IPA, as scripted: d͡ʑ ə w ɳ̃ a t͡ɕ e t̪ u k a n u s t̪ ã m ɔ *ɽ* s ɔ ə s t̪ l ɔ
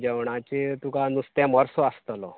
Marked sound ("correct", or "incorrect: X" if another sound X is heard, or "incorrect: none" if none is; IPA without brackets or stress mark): incorrect: ɾ